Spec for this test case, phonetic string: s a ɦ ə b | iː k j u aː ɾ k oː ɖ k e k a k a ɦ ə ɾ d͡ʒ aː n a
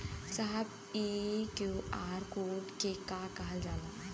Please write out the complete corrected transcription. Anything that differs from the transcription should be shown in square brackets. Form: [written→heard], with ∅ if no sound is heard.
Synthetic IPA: s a ɦ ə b | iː k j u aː ɾ k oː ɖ k e k a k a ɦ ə [ɾ→l] d͡ʒ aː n a